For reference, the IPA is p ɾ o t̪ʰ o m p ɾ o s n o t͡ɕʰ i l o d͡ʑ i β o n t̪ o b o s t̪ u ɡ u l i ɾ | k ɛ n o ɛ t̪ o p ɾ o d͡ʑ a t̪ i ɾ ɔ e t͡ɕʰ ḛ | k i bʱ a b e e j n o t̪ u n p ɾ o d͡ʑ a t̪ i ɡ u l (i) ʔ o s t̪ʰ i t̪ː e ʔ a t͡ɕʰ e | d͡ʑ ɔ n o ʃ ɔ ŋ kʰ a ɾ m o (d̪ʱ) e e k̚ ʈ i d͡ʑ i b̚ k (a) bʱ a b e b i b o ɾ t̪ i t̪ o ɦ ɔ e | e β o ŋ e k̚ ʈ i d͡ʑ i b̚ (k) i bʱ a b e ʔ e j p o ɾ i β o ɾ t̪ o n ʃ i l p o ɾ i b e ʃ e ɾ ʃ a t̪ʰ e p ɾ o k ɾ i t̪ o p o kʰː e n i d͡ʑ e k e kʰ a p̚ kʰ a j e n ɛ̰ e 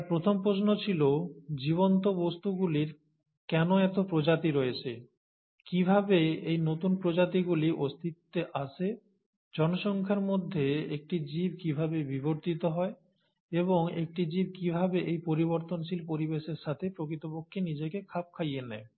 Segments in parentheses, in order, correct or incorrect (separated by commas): correct, incorrect, incorrect, correct